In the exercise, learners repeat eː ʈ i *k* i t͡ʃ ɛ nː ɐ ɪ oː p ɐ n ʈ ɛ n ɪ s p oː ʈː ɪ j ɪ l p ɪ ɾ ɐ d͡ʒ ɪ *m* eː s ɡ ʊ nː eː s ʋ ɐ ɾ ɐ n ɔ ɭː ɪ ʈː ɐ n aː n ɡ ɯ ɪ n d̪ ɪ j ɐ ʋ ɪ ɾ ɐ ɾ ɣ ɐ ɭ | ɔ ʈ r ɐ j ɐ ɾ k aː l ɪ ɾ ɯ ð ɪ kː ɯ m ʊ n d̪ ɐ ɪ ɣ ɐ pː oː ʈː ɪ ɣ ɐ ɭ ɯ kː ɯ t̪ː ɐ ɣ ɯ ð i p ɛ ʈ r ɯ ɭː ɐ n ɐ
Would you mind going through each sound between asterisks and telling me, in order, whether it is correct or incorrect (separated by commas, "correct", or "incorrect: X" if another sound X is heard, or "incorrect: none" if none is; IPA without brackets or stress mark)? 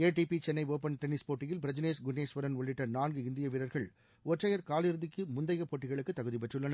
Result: incorrect: p, incorrect: n